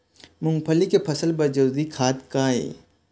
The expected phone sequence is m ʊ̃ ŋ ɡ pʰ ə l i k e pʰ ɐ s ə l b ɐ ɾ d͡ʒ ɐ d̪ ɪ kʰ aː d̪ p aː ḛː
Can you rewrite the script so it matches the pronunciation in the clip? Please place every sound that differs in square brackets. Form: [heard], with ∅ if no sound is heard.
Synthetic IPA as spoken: m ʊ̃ ŋ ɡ pʰ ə l i k e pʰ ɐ s ə l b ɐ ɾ d͡ʒ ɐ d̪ [i] kʰ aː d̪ [k] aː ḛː